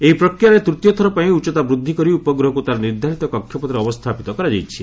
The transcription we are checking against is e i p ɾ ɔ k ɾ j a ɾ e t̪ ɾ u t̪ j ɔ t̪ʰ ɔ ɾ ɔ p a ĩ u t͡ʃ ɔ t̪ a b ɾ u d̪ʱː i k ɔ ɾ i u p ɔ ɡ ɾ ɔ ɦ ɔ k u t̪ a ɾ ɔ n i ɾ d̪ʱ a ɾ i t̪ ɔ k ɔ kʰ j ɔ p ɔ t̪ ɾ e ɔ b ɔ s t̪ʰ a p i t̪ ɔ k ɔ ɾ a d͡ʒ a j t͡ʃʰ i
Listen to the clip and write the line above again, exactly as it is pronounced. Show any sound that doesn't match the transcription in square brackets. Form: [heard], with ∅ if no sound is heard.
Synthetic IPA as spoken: e i p ɾ ɔ k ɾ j a ɾ e t̪ ɾ u t̪ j ɔ t̪ʰ ɔ ɾ ɔ p a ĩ u t͡ʃ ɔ t̪ a b ɾ u d̪ʱː i k ɔ ɾ i u p ɔ ɡ ɾ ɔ ɦ ɔ k u t̪ a ɾ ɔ n i ɾ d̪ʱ a ɾ i t̪ ɔ k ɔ kʰ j ɔ p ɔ t̪ ɾ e ɔ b ɔ s t̪ʰ a p i t̪ ɔ k ɔ ɾ a d͡ʒ a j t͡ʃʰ i

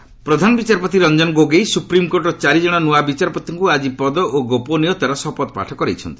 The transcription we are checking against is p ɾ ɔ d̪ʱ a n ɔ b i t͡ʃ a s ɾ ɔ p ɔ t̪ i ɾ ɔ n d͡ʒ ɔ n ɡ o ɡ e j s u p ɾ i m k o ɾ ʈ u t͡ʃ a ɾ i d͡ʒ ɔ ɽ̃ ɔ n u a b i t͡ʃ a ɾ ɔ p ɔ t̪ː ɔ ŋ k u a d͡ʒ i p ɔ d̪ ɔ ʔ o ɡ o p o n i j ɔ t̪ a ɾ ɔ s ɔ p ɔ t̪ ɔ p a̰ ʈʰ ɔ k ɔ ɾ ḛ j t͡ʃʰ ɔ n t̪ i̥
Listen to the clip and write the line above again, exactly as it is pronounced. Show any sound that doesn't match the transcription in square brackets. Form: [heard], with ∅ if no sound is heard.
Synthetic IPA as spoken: p ɾ ɔ d̪ʱ a n ɔ b i t͡ʃ a [∅] ɾ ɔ p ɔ t̪ i ɾ ɔ n d͡ʒ ɔ n ɡ o ɡ e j s u p ɾ i m k o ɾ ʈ [ɔ] t͡ʃ a ɾ i d͡ʒ ɔ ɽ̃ ɔ n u a b i t͡ʃ a ɾ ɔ p ɔ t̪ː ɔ ŋ k u a d͡ʒ i p ɔ d̪ ɔ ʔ o ɡ o p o n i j ɔ t̪ a ɾ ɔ s ɔ p ɔ t̪ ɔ p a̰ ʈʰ ɔ k ɔ ɾ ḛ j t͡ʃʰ ɔ n t̪ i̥

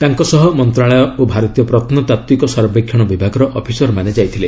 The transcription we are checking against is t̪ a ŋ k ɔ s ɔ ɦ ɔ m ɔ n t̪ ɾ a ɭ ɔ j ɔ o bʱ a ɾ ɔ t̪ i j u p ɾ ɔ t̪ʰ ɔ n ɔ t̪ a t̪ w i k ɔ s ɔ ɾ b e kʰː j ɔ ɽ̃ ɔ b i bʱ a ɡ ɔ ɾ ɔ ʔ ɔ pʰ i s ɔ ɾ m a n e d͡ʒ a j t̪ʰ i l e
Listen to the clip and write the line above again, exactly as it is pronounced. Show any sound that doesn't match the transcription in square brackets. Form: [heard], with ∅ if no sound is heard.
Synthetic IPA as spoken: t̪ a ŋ k ɔ s ɔ ɦ ɔ m ɔ n t̪ ɾ a ɭ ɔ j ɔ o bʱ a ɾ ɔ t̪ i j [ɔ] p ɾ ɔ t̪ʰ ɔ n ɔ t̪ a t̪ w i k ɔ s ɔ ɾ b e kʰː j ɔ ɽ̃ ɔ b i bʱ a ɡ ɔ ɾ ɔ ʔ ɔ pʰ i s ɔ ɾ m a n e d͡ʒ a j t̪ʰ i l e

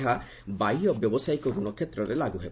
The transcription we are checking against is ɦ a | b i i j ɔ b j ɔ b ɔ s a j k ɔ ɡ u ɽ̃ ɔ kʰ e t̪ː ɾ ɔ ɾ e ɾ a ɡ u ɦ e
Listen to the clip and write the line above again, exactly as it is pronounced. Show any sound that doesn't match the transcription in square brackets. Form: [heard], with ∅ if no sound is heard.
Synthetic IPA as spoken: ɦ a | b [a] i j ɔ b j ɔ b ɔ s a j k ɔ ɡ u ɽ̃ ɔ kʰ e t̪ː ɾ ɔ ɾ e [l] a ɡ u ɦ e

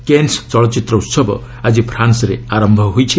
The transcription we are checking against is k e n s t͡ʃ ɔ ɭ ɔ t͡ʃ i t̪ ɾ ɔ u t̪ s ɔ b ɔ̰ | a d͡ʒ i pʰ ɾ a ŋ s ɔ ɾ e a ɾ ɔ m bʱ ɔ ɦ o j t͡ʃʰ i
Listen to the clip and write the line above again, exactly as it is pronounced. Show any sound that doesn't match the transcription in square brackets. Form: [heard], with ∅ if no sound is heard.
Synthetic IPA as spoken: k e n s t͡ʃ ɔ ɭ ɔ t͡ʃ i t̪ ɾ ɔ u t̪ s ɔ b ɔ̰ | a d͡ʒ i pʰ ɾ a [n] s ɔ ɾ e a ɾ ɔ m bʱ ɔ ɦ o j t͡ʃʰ i

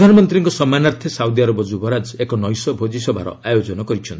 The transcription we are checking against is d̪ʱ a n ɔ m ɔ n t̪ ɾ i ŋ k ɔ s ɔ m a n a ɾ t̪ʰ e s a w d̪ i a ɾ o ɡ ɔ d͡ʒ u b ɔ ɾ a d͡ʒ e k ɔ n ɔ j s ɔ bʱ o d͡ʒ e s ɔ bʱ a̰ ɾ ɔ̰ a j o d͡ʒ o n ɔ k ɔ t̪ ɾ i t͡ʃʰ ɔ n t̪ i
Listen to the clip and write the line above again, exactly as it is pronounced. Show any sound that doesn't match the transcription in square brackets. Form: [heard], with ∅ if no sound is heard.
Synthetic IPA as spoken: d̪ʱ a n ɔ m ɔ n t̪ ɾ i ŋ k ɔ s ɔ m a n a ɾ t̪ʰ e s a w d̪ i a ɾ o [b] ɔ d͡ʒ u b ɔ ɾ a d͡ʒ e k ɔ n ɔ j s ɔ bʱ o d͡ʒ [i] s ɔ bʱ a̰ ɾ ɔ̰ a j o d͡ʒ [ɔ] n ɔ k ɔ [∅] ɾ i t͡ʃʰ ɔ n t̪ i

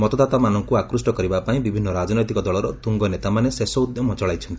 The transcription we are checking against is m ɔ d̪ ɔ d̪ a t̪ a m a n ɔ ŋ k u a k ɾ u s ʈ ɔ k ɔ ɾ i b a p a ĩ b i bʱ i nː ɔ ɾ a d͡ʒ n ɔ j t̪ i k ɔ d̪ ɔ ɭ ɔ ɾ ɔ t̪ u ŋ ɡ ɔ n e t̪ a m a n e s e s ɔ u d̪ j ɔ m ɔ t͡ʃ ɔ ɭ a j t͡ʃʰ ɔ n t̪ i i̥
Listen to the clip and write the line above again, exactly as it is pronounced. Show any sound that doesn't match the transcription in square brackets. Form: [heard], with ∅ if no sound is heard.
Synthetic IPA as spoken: m ɔ [t̪] ɔ d̪ a t̪ a m a n ɔ ŋ k u a k ɾ u s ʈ ɔ k ɔ ɾ i b a p a ĩ b i bʱ i nː ɔ ɾ a d͡ʒ n ɔ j t̪ i k ɔ d̪ ɔ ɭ ɔ ɾ ɔ t̪ u ŋ ɡ ɔ n e t̪ a m a n e s e s ɔ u d̪ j ɔ m ɔ t͡ʃ ɔ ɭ a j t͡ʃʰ ɔ n t̪ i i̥

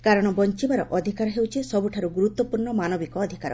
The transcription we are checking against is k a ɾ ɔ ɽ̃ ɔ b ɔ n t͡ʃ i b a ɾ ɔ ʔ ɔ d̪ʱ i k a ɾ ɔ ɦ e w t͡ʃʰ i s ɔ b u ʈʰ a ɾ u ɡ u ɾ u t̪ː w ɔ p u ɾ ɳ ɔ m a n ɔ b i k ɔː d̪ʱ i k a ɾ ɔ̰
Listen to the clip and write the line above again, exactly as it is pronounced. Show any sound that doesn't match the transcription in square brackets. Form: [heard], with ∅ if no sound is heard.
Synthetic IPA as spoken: k a ɾ ɔ ɽ̃ ɔ b ɔ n t͡ʃ i b a ɾ ɔ ʔ ɔ d̪ʱ i k a ɾ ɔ ɦ e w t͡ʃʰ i s ɔ b u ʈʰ a ɾ u ɡ u ɾ u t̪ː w ɔ p u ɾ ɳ ɔ m a n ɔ b i k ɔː d̪ʱ i k a ɾ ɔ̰

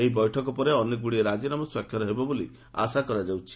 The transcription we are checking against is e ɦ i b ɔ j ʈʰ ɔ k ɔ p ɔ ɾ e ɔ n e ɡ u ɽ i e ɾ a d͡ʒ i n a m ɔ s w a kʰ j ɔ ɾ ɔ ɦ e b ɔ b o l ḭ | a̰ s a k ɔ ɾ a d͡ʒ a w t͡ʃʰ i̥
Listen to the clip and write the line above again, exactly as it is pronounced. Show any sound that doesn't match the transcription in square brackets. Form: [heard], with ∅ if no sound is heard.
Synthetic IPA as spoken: e ɦ i b ɔ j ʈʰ ɔ k ɔ p ɔ ɾ e ɔ n e ɡ u ɽ i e ɾ a d͡ʒ i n a m ɔ s w a kʰ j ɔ ɾ ɔ ɦ e b ɔ b o l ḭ | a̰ s a k ɔ ɾ a d͡ʒ a w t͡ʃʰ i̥

